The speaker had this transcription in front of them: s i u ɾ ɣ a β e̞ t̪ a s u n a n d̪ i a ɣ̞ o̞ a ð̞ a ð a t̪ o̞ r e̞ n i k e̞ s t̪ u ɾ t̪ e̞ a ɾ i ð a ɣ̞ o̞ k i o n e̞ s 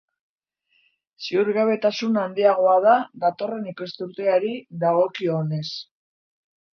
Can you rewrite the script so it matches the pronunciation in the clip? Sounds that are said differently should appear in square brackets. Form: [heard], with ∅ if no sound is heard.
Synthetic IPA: s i u ɾ ɣ a β e̞ t̪ a s u n a n d̪ i a ɣ̞ o̞ a ð̞ a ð a t̪ o̞ r e̞ n i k e̞ s t̪ u ɾ t̪ e̞ a ɾ i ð a ɣ̞ o̞ k i o n e̞ s